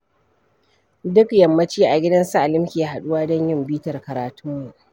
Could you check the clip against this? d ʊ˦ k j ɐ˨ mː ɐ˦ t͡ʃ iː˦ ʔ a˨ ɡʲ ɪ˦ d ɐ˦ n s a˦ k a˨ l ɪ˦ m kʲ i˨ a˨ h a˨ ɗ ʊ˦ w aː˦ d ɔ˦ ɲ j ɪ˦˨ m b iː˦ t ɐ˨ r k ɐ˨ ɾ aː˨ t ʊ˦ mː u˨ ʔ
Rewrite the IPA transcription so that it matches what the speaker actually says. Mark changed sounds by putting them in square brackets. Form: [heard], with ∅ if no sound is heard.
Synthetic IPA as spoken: d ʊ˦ k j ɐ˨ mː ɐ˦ t͡ʃ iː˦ ʔ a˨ ɡʲ ɪ˦ d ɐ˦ n s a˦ [ʔ] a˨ l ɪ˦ m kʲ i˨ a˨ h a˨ ɗ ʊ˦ w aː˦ d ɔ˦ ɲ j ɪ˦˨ m b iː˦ t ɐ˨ r k ɐ˨ ɾ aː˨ t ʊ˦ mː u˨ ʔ